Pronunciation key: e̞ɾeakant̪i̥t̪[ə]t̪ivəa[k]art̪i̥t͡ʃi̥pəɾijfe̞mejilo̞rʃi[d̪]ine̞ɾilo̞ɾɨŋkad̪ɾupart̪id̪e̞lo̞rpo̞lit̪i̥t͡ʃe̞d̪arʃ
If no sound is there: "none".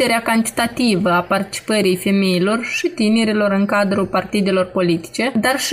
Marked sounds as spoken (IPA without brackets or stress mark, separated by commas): a, p, t̪